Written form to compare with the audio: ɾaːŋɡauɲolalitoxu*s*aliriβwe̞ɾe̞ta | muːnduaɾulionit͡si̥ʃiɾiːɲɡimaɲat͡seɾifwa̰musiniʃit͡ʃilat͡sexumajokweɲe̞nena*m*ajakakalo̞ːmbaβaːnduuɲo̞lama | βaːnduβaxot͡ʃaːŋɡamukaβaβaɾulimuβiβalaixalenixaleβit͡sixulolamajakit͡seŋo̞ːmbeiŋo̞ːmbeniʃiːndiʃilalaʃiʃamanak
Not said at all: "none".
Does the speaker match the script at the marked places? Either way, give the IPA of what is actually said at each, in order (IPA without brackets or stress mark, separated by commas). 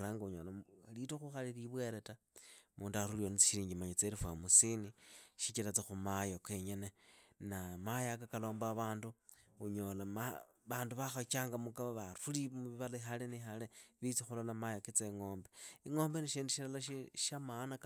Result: x, m